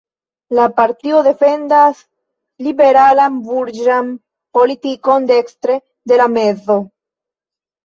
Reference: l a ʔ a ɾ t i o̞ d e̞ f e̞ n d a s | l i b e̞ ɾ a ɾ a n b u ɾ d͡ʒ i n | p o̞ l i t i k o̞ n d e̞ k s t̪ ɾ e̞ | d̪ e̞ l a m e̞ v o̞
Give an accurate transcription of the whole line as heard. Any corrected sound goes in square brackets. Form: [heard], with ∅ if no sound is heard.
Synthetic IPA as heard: l a [p] a ɾ t i o̞ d e̞ f e̞ n d a s | l i b e̞ ɾ a [l] a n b u ɾ d͡ʒ [a] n | p o̞ l i t i k o̞ n d e̞ k s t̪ ɾ e̞ | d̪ e̞ l a m e̞ [z] o̞